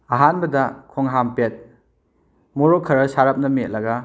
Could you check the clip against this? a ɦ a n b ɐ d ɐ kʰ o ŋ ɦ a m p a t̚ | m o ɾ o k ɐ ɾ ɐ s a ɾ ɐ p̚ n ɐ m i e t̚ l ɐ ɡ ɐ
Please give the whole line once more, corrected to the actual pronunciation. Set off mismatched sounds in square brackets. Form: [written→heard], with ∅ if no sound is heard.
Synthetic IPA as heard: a ɦ a n b ɐ d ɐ kʰ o ŋ ɦ a m p [a→e] t̚ | m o ɾ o [k→kʰ] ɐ ɾ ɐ s a ɾ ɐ p̚ n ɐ m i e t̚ l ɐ ɡ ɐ